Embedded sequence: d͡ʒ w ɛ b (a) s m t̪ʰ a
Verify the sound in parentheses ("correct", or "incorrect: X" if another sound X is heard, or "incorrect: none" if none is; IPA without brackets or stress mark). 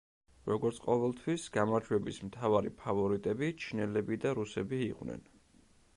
incorrect: i